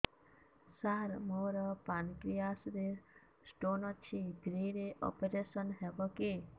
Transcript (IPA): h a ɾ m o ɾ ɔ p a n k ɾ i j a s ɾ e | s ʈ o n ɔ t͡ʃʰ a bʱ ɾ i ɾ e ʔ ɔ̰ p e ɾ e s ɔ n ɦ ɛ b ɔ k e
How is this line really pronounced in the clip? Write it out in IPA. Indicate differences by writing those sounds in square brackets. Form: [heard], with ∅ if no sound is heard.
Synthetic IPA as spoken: [s] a ɾ m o ɾ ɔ p a n k ɾ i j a s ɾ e | s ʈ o n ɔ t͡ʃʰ [i] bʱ ɾ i ɾ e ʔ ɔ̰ p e ɾ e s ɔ n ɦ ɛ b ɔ k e